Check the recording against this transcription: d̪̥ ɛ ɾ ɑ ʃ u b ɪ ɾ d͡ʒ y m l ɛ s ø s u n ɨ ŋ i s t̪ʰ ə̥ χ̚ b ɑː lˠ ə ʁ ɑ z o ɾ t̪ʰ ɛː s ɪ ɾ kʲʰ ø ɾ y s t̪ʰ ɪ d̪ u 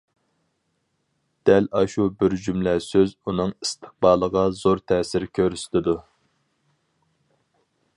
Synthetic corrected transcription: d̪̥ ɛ l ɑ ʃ u b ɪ ɾ d͡ʒ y m l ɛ s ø z u n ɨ ŋ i s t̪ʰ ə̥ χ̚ b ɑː lˠ ə ʁ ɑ z o ɾ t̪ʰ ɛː s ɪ ɾ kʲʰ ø ɾ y s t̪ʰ ɪ d̪ u

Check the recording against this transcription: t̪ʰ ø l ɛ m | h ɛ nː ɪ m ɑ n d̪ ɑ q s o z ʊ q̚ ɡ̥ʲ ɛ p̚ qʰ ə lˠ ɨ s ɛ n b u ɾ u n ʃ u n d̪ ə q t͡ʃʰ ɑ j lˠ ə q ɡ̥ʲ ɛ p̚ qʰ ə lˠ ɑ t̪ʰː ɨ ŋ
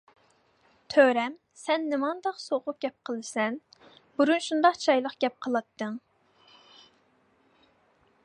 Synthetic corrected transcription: t̪ʰ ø ɾ ɛ m | s ɛ nː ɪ m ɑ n d̪ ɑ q s o ʁ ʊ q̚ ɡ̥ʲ ɛ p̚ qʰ ə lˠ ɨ s ɛ n b u ɾ u n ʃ u n d̪ ɑ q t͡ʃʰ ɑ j lˠ ə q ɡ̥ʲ ɛ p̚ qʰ ə lˠ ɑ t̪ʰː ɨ ŋ

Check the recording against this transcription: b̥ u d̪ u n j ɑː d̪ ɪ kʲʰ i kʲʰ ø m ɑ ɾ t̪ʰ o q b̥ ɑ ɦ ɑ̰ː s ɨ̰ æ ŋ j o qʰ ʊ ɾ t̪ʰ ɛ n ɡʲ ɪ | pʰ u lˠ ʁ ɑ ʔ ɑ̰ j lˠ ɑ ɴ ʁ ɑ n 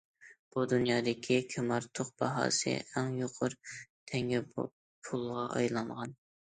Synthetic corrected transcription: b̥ u d̪ u n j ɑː d̪ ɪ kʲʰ i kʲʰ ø m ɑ ɾ t̪ʰ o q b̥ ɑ ɦ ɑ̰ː s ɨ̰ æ ŋ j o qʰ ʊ ɾ t̪ʰ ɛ ŋ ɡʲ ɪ | pʰ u lˠ ʁ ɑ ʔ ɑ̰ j lˠ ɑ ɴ ʁ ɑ n

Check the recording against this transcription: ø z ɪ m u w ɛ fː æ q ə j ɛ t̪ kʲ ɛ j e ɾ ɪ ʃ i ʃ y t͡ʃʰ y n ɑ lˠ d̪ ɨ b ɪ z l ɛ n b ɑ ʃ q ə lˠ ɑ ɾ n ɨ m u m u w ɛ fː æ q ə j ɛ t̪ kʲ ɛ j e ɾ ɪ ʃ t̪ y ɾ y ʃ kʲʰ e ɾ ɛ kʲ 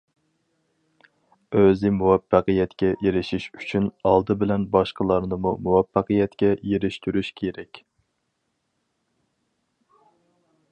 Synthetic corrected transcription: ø z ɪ m u w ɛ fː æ q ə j ɛ t̪ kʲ ɛ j e ɾ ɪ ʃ i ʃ y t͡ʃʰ y n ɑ lˠ d̪ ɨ b ɪ l ɛ n b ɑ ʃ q ə lˠ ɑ ɾ n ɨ m u m u w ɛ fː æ q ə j ɛ t̪ kʲ ɛ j e ɾ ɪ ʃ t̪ y ɾ y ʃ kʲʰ e ɾ ɛ kʲ

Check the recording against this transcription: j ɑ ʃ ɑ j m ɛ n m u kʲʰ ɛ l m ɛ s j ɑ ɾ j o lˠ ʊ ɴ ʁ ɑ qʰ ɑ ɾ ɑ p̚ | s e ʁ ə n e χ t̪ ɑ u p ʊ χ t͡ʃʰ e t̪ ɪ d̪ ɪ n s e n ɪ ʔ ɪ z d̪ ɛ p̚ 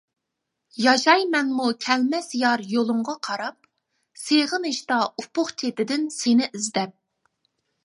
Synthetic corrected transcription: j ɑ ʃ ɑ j m ɛ n m u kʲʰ ɛ l m ɛ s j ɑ ɾ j o lˠ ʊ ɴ ʁ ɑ qʰ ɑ ɾ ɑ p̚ | s e ʁ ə n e ʃ t̪ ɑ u p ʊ χ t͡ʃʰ e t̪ ɪ d̪ ɪ n s e n ɪ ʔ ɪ z d̪ ɛ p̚

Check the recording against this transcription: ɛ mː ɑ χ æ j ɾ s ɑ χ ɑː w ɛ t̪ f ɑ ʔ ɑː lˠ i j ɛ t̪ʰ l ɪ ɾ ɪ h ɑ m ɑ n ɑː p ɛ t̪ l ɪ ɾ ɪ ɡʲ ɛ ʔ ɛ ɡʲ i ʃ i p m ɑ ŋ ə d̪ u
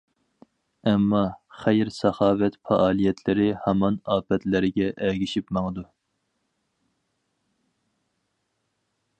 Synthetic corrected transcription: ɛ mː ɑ χ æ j ɾ s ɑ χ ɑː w ɛ t̪ f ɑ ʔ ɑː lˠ i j ɛ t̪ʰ l ɪ ɾ ɪ h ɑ m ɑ n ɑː p ɛ t̪ l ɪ ɾ ɪ ɡʲ ɛ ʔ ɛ ɡʲ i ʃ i p m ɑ ŋ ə d̪ u

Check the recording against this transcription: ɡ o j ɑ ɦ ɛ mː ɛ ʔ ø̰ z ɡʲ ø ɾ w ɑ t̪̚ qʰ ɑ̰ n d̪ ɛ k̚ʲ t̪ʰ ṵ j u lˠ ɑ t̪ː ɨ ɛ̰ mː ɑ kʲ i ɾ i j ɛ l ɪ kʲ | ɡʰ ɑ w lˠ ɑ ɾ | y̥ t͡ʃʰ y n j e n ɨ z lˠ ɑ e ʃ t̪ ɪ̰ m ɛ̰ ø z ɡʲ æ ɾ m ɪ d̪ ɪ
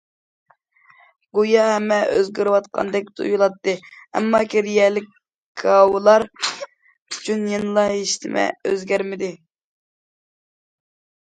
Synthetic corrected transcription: ɡ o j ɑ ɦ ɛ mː ɛ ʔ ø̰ z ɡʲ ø ɾ w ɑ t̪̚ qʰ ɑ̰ n d̪ ɛ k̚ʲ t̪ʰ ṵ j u lˠ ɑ t̪ː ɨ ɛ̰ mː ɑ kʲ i ɾ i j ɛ l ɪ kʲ | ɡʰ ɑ w lˠ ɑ ɾ | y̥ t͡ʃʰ y n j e n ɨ lˠ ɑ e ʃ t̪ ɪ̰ m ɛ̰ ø z ɡʲ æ ɾ m ɪ d̪ ɪ

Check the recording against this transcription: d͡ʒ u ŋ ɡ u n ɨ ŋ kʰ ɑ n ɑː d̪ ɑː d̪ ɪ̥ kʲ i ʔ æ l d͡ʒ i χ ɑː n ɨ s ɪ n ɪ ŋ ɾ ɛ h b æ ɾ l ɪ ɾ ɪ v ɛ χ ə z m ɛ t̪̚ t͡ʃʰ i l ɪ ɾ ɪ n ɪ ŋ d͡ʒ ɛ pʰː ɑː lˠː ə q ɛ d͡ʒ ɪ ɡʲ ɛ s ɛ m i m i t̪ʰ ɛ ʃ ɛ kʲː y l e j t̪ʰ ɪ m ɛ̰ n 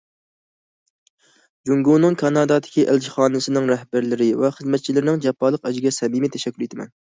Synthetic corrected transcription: d͡ʒ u ŋ ɡ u n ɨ ŋ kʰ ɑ n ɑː d̪ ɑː d̪ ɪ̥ kʲ i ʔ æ l d͡ʒ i χ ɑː n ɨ s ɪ n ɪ ŋ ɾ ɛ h b æ ɾ l ɪ ɾ ɪ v ɛ χ ə z m ɛ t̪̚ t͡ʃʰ i l ɪ ɾ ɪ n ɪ ŋ d͡ʒ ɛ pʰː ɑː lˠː ə q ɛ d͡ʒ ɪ ɡʲ ɛ s ɛ m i m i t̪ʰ ɛ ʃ ɛ kʲː y l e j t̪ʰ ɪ m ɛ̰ n

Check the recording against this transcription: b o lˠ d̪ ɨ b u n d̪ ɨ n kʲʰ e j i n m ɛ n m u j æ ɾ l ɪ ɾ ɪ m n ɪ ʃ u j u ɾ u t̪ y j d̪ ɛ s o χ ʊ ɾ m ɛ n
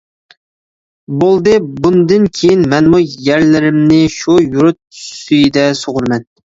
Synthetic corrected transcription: b o lˠ d̪ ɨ b u n d̪ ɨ n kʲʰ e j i n m ɛ n m u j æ ɾ l ɪ ɾ ɪ m n ɪ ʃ u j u ɾ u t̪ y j d̪ ɛ s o ʁ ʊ ɾ m ɛ n

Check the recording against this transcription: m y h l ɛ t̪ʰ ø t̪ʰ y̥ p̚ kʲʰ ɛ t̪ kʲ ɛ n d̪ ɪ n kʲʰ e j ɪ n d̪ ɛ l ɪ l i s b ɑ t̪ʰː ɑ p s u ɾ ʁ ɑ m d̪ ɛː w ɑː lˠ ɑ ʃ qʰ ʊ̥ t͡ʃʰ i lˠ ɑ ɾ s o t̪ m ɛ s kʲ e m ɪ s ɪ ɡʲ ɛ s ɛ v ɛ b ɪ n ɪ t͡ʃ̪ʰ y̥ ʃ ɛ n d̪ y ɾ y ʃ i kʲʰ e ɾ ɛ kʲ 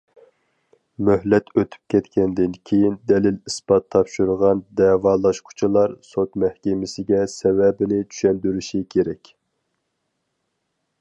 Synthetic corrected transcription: m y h l ɛ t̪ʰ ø t̪ʰ y̥ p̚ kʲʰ ɛ t̪ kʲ ɛ n d̪ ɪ n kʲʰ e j i n d̪ ɛ l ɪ l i s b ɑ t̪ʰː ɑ p ʃ u ɾ ʁ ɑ n d̪ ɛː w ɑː lˠ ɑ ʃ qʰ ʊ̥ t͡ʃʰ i lˠ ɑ ɾ s o t̪ m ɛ h kʲ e m ɪ s ɪ ɡʲ ɛ s ɛ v ɛ b ɪ n ɪ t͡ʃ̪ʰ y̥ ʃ ɛ n d̪ y ɾ y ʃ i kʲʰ e ɾ ɛ kʲ

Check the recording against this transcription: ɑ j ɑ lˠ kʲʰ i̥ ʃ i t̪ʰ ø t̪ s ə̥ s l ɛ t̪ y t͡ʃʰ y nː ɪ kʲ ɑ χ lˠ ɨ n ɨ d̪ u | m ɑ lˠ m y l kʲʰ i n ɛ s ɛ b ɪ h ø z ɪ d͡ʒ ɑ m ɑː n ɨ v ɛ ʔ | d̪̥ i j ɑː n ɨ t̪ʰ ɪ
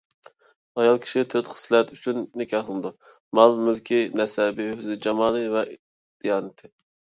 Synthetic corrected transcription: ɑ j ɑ lˠ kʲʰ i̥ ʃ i t̪ʰ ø t̪ χ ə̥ s l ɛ t̪ y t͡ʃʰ y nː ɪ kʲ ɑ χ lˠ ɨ n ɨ d̪ u | m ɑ lˠ m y l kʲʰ i n ɛ s ɛ b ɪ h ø z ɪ d͡ʒ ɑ m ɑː n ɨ v ɛ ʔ | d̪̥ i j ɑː n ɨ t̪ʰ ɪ

